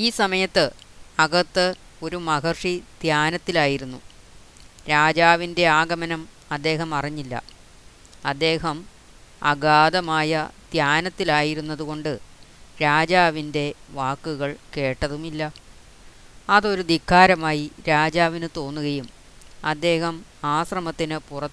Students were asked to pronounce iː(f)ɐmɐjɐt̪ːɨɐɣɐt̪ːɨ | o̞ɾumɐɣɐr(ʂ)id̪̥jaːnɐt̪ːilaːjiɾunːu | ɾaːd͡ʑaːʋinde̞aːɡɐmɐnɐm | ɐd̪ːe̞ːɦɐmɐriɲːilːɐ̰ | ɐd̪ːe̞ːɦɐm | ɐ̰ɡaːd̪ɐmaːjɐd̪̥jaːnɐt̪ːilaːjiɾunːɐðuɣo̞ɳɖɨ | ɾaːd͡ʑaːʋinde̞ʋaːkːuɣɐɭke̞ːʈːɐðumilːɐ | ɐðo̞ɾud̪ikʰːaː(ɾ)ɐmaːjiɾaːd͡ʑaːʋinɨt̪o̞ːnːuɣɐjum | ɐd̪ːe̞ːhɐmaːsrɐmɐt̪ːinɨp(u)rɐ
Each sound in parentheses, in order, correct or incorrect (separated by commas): incorrect, correct, correct, correct